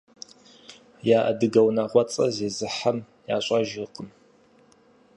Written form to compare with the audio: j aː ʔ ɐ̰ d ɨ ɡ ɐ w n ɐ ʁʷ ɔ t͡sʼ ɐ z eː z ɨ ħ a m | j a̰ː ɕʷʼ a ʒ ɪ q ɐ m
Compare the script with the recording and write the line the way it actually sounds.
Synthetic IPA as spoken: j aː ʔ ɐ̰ d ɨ ɡ ɐ w n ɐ ʁʷ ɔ t͡sʼ ɐ z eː z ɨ ħ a m | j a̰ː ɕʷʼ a ʒ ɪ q ə m